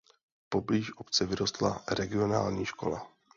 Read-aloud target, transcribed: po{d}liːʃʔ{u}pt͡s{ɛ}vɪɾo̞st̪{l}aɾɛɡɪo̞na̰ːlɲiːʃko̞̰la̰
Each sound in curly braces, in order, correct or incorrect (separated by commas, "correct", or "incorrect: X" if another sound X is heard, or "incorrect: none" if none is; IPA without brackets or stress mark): incorrect: b, incorrect: o, correct, correct